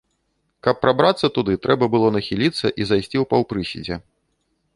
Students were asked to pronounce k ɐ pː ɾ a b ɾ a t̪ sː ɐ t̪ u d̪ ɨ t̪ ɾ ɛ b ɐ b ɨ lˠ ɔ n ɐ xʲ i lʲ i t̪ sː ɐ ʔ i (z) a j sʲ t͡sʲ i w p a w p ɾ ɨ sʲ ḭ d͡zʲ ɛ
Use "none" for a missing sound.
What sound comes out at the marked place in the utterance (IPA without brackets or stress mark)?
z